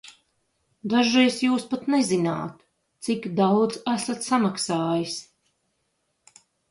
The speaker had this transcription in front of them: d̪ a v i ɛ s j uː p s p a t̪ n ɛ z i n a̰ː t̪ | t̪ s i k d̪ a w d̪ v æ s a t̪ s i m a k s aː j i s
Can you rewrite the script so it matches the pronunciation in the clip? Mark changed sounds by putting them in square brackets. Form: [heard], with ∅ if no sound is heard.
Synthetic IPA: d̪ a [ʒ] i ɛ s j uː [∅] s p a t̪ n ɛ z i n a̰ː t̪ | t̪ s i k d̪ a w d̪ [z] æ s a t̪ s [a] m a k s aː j i s